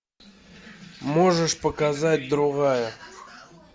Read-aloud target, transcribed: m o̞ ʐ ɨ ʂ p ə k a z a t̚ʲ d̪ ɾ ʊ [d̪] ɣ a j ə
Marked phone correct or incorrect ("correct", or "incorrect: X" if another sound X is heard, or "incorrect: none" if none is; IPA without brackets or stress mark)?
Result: incorrect: none